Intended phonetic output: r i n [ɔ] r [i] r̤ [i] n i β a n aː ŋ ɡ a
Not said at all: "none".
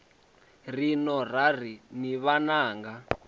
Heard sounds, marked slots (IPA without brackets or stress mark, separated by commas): ɔ, a, i